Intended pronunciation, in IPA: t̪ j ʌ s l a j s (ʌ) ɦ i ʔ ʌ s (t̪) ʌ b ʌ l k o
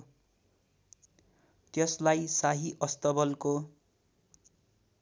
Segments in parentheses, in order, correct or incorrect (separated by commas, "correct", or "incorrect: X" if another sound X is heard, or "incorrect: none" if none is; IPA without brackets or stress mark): incorrect: a, correct